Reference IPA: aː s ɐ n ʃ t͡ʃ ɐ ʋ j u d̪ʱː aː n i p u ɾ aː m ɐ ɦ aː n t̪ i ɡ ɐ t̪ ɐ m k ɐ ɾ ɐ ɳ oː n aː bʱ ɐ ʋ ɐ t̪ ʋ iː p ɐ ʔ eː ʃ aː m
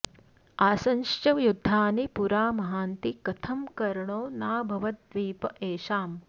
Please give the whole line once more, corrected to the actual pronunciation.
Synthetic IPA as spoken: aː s ɐ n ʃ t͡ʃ ɐ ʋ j u d̪ʱː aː n i p u ɾ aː m ɐ ɦ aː n t̪ i k ɐ t̪ʰ ɐ m k ɐ ɾ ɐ ɳ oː n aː bʱ ɐ ʋ ɐ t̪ ʋ iː p ɐ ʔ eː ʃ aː m